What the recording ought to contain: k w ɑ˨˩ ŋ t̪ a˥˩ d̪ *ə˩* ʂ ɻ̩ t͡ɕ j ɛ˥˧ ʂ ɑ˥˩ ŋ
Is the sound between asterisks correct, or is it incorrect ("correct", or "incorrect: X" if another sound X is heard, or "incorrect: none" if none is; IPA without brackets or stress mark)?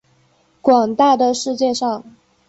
correct